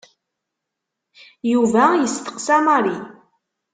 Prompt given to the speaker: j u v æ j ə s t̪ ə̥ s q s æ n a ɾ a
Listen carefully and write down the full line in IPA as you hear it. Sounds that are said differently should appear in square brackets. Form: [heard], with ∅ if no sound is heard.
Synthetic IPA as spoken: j u v æ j ə s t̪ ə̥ [∅] q s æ [m] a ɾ [i]